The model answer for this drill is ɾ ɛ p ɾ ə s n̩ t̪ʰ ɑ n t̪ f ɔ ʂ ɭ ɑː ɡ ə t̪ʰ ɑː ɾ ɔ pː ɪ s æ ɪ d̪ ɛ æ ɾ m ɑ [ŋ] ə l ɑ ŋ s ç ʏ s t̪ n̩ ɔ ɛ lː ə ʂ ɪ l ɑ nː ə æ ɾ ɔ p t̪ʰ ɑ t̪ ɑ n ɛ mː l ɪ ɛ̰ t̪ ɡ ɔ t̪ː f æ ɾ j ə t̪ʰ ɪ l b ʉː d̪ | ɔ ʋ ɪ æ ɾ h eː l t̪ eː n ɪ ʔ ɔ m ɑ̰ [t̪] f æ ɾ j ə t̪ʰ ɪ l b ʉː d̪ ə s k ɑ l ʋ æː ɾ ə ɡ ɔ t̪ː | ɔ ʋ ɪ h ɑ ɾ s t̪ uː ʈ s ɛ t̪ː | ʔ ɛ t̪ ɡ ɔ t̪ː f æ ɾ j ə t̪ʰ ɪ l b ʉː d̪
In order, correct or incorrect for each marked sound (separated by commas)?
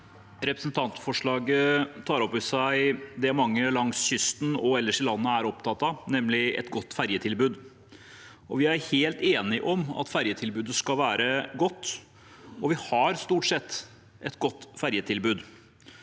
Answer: incorrect, correct